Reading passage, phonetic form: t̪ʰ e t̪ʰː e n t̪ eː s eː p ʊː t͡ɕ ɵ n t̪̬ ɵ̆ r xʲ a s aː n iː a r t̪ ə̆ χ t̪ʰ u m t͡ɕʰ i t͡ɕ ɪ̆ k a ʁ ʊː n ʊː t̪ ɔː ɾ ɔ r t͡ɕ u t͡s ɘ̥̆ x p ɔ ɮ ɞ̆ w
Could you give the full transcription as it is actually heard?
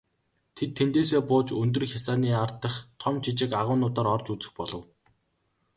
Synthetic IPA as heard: t̪ʰ e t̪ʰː e n t̪ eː s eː p ʊː t͡ɕ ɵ n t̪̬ ɵ̆ r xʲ a s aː n iː a r t̪ ə̆ χ t̪ʰ ɔ m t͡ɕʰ i t͡ɕ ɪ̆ k a ʁ ʊː n ʊː t̪ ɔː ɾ ɔ r t͡ɕ u t͡s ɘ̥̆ x p ɔ ɮ ɞ̆ w